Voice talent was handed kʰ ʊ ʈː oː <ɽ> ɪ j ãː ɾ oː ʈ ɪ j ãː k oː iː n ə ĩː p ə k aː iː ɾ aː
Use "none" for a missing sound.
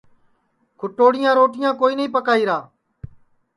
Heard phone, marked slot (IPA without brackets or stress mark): ɽ